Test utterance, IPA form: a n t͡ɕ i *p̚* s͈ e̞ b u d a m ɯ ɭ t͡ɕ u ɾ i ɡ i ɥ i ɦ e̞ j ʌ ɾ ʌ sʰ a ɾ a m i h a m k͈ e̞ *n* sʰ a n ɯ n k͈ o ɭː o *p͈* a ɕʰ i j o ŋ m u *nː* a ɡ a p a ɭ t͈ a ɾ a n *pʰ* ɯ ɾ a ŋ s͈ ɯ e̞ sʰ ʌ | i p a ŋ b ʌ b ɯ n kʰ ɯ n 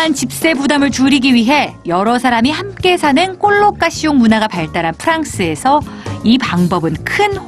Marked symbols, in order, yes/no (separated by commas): yes, no, no, no, yes